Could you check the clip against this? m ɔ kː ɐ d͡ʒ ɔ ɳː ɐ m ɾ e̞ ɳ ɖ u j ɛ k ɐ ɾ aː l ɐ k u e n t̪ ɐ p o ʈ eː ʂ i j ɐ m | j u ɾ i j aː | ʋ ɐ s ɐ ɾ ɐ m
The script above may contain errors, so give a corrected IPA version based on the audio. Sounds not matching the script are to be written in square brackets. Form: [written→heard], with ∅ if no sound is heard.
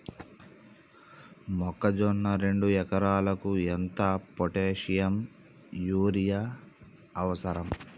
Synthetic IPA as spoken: m ɔ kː ɐ d͡ʒ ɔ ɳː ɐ [m→∅] ɾ e̞ ɳ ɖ u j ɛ k ɐ ɾ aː l ɐ k u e n t̪ ɐ p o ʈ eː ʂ i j ɐ m | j [u→uː] ɾ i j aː | ʋ ɐ s ɐ ɾ ɐ m